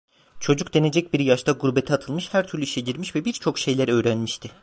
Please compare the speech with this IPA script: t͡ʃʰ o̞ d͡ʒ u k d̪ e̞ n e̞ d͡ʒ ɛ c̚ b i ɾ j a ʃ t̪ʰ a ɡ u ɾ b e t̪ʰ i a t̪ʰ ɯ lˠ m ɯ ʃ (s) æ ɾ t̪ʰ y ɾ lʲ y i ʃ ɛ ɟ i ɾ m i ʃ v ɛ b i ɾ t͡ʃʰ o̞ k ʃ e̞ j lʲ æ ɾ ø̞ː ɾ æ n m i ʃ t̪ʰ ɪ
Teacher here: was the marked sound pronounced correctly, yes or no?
no